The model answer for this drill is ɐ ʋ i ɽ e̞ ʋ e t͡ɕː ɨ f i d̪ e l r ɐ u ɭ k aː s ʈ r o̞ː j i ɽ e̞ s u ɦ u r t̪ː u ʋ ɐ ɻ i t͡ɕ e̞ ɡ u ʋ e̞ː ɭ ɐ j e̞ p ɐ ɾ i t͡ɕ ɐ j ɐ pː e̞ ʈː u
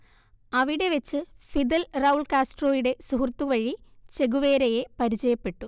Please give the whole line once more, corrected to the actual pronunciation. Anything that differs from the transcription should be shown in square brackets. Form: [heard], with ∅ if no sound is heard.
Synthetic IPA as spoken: ɐ ʋ i ɽ e̞ ʋ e t͡ɕː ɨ f i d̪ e l r ɐ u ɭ k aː s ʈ r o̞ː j i ɽ e̞ s u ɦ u r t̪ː u ʋ ɐ ɻ i t͡ɕ e̞ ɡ u ʋ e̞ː [ɾ] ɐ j e̞ p ɐ ɾ i t͡ɕ ɐ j ɐ pː e̞ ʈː u